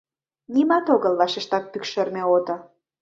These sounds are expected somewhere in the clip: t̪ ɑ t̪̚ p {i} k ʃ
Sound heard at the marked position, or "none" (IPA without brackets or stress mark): y